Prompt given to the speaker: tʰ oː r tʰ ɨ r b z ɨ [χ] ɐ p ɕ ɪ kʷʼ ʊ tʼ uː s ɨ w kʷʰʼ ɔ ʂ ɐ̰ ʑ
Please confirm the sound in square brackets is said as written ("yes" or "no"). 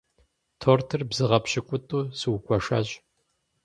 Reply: no